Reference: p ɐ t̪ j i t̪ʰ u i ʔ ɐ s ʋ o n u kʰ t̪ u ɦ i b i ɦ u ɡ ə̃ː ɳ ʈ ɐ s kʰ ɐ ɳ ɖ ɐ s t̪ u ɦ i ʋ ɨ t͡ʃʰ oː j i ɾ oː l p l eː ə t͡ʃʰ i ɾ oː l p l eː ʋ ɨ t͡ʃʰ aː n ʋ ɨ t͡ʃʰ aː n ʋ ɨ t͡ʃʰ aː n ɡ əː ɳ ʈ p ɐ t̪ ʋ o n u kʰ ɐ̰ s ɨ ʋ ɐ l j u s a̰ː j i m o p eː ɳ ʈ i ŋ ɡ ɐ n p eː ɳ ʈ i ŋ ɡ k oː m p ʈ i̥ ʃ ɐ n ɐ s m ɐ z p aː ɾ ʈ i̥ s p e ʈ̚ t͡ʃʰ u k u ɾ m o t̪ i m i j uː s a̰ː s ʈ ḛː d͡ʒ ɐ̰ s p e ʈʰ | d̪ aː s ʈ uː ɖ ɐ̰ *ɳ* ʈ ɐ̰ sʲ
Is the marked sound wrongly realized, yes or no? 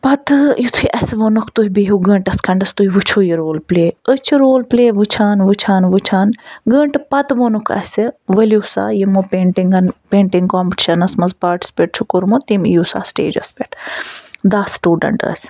no